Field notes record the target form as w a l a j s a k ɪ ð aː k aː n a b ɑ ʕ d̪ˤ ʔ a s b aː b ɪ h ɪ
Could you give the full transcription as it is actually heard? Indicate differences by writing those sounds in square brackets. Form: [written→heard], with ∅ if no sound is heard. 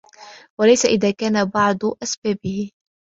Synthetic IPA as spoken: w a l a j s a [k→ʔ] ɪ ð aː k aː n a b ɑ ʕ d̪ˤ ʔ a s b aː b ɪ h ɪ